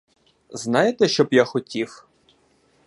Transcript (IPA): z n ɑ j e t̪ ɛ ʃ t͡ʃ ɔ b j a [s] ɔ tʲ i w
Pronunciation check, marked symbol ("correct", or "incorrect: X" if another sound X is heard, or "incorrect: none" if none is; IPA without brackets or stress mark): incorrect: x